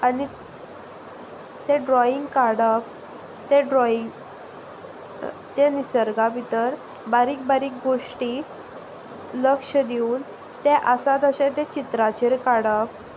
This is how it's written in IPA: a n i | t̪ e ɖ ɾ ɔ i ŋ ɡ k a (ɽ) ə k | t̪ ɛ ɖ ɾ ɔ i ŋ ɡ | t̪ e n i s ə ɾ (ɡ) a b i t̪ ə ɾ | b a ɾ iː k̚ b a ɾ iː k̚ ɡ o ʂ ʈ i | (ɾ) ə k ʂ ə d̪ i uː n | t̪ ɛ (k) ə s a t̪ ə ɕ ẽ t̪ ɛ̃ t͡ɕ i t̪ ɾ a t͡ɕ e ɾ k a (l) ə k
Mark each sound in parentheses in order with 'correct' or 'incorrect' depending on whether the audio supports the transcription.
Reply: correct, correct, incorrect, incorrect, incorrect

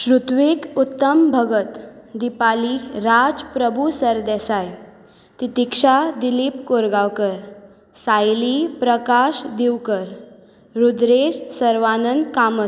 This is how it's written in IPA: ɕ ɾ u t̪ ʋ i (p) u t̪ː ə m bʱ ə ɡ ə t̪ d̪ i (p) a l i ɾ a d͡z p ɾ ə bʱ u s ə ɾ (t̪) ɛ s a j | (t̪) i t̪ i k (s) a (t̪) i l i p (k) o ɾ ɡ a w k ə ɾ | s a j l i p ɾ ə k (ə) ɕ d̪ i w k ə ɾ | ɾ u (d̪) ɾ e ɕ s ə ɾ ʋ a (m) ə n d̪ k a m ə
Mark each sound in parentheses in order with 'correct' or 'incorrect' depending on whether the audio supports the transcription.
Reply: incorrect, correct, incorrect, correct, incorrect, incorrect, correct, incorrect, correct, incorrect

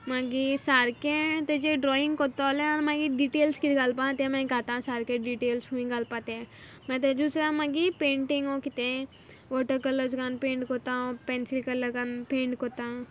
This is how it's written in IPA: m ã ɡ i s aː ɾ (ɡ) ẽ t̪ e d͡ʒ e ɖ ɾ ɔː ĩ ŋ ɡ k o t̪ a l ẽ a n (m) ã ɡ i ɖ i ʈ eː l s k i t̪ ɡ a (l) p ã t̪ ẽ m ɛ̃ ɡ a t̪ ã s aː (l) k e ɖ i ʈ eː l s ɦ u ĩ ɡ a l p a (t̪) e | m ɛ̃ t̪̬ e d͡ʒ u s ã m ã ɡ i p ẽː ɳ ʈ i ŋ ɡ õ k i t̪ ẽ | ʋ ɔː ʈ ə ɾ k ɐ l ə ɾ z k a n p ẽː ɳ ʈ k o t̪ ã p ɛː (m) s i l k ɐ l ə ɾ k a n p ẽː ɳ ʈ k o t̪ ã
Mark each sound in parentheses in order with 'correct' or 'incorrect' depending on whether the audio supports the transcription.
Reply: incorrect, correct, correct, incorrect, correct, incorrect

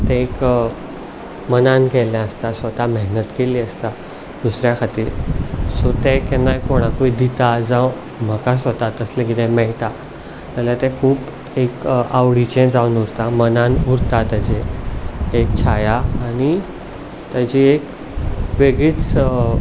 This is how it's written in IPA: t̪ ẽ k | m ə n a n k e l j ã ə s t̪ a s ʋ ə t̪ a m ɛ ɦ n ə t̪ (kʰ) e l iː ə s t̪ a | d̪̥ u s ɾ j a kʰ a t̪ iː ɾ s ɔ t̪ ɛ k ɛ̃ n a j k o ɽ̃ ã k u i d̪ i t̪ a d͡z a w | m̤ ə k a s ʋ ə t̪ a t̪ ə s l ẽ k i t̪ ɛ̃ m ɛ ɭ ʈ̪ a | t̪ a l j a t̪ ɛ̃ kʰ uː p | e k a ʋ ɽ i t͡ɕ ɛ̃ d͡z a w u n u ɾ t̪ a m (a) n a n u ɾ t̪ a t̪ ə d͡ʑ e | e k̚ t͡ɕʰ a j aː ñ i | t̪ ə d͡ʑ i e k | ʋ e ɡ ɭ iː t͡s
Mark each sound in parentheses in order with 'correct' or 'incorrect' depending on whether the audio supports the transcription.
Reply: incorrect, incorrect

